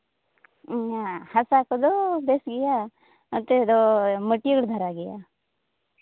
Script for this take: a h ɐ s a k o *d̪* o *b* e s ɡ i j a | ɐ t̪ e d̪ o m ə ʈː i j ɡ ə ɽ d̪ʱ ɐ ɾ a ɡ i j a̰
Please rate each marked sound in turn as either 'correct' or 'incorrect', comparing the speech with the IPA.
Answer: correct, correct

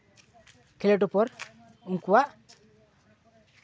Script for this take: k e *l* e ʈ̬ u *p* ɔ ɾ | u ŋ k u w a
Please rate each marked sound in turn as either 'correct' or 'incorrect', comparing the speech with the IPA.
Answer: correct, correct

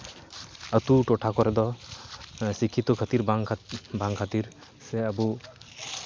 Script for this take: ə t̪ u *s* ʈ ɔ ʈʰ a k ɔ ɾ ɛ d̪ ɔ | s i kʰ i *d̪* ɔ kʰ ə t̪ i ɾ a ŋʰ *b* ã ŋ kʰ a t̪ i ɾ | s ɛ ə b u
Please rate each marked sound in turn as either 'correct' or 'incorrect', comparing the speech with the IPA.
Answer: incorrect, incorrect, correct

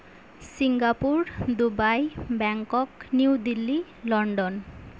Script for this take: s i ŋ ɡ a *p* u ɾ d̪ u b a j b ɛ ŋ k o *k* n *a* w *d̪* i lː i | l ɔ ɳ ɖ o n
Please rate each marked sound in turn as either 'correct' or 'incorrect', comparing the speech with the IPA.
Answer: correct, correct, incorrect, correct

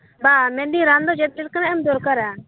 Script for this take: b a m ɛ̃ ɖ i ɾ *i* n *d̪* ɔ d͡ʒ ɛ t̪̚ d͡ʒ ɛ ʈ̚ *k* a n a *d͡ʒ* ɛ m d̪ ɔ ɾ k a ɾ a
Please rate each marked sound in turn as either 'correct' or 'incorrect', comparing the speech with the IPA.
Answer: incorrect, correct, correct, incorrect

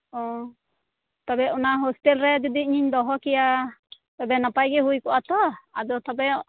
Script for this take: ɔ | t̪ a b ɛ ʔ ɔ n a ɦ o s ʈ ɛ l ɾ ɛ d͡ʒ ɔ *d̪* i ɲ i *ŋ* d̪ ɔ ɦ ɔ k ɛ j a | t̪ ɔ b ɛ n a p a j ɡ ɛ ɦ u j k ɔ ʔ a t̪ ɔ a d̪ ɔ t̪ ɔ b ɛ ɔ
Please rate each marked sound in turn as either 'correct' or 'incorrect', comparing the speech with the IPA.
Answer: correct, incorrect

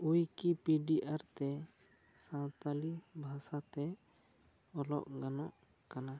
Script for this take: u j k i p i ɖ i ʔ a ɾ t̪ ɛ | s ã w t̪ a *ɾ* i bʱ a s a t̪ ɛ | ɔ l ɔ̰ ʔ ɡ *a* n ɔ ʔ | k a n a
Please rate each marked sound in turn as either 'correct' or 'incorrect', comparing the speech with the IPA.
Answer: incorrect, correct

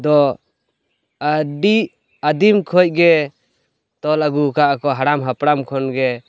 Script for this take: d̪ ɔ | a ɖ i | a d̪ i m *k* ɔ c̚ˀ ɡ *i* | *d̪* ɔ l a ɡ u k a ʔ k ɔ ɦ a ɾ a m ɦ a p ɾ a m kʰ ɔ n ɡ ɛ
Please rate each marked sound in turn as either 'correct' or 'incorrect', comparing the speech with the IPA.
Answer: incorrect, incorrect, incorrect

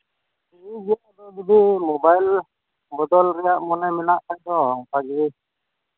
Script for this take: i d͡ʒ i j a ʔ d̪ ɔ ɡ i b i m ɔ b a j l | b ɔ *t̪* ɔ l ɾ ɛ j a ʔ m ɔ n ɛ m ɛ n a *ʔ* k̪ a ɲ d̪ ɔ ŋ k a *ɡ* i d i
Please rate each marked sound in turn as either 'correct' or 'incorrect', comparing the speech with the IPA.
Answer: incorrect, correct, correct

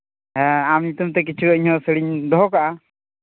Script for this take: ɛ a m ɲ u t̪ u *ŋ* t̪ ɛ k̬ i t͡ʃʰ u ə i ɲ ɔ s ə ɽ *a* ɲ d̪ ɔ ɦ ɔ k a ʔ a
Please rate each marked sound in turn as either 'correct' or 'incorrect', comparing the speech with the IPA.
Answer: incorrect, incorrect

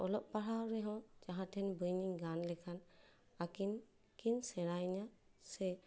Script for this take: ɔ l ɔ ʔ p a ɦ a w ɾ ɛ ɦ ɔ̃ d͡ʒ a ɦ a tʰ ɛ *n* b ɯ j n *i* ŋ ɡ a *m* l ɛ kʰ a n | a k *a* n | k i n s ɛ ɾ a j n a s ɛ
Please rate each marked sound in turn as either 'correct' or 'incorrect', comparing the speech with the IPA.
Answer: correct, correct, incorrect, incorrect

